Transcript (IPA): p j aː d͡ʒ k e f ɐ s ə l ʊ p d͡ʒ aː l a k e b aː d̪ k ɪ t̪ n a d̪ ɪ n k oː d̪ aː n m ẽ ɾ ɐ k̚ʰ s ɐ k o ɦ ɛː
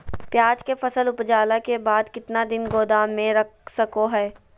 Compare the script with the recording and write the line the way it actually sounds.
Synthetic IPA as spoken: p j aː d͡ʒ k e f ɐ s ə l ʊ p d͡ʒ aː l a k e b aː d̪ k ɪ t̪ n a d̪ ɪ n ɡ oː d̪ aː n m ẽ ɾ ɐ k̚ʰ s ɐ k o ɦ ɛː

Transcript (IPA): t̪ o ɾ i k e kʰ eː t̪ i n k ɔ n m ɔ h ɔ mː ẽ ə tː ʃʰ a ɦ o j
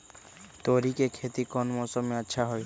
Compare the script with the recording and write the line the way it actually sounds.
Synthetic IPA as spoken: t̪ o ɾ i k e kʰ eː t̪ i k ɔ n m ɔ s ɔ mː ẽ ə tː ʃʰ a ɦ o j

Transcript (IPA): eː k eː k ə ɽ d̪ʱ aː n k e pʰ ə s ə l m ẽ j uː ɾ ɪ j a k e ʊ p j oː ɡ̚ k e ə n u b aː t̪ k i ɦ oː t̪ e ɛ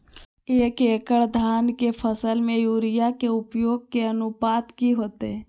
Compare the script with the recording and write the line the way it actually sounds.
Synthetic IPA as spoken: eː k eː k ə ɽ d̪ʱ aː n k e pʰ ə s ə l m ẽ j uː ɾ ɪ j a k e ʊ p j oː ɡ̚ k e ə n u p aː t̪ k i ɦ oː t̪ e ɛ

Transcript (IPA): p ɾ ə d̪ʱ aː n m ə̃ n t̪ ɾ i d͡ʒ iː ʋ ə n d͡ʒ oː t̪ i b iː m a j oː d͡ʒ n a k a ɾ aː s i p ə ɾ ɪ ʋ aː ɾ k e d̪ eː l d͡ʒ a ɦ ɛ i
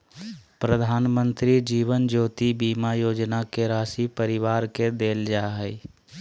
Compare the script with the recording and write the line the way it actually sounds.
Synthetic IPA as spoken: p ɾ ə d̪ʱ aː n m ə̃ n t̪ ɾ i d͡ʒ iː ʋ ə n d͡ʒ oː t̪ i b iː m a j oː d͡ʒ n a k e ɾ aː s i p ə ɾ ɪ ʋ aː ɾ k e d̪ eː l d͡ʒ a ɦ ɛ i

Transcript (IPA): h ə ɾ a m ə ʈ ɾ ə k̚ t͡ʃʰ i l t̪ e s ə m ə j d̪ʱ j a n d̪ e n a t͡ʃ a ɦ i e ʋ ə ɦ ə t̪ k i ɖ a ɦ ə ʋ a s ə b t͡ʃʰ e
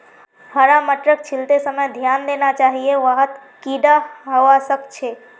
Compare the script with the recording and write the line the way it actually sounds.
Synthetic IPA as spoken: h ə ɾ a m ə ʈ ɾ ə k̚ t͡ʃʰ i l t̪ e s ə m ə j d̪ʱ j a n d̪ e n a t͡ʃ a ɦ i e ʋ ə ɦ ə t̪ k i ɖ a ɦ ə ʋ a s ə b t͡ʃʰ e

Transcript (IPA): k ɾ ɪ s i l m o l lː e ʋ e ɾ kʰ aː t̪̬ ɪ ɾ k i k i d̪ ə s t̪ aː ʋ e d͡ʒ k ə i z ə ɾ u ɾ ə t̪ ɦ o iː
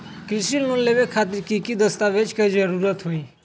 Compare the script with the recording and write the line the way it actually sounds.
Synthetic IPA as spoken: k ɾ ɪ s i l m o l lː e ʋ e kʰ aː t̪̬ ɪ ɾ k i k i d̪ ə s t̪ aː ʋ e d͡ʒ k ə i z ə ɾ u ɾ ə t̪ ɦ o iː

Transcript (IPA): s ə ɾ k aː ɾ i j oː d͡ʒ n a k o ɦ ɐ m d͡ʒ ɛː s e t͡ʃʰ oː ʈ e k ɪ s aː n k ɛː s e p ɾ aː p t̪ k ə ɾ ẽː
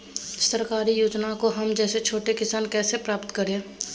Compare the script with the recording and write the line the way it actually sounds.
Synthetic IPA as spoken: s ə ɾ k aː ɾ i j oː d͡ʒ n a k o ɦ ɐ m d͡ʒ ɛː s e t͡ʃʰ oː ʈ e k ɪ s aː n k ɛː s e p ɾ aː p t̪ k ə ɾ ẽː

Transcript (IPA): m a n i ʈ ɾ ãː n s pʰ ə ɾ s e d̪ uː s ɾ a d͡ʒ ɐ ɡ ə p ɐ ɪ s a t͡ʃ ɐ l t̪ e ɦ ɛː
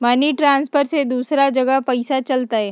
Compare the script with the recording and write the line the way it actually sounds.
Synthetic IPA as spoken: m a n i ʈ ɾ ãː n s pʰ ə ɾ s e d̪ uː s ɾ a d͡ʒ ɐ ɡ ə p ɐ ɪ s a t͡ʃ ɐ l t̪ a ɦ ɛː

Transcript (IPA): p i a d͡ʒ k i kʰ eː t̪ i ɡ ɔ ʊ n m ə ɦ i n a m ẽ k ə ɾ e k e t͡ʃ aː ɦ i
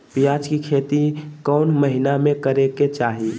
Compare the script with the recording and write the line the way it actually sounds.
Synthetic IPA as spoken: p i a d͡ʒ k i kʰ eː t̪ i k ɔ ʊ n m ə ɦ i n a m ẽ k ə ɾ e k e t͡ʃ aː ɦ i

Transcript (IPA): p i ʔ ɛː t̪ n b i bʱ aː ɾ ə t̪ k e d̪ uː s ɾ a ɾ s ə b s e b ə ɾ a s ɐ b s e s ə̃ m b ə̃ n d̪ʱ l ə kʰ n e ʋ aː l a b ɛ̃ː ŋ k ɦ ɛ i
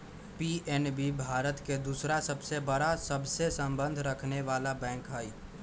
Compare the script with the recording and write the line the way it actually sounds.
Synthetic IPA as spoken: p i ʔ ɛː n b i bʱ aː ɾ ə t̪ k e d̪ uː s ɾ a s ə b s e b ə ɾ a s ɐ b s e s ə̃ m b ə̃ n d̪ʱ ɾ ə kʰ n e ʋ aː l a b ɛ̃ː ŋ k ɦ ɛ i

